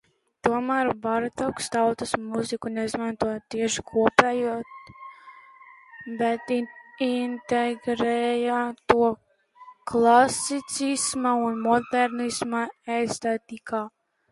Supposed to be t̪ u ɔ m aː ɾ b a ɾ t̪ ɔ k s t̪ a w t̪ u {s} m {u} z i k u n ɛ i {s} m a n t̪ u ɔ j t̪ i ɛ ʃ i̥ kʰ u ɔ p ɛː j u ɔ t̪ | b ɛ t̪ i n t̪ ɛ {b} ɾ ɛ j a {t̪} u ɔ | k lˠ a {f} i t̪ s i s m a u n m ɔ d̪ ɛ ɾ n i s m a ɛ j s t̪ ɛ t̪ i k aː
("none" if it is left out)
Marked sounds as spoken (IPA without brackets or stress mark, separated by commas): s, u, z, ɡ, t̪, s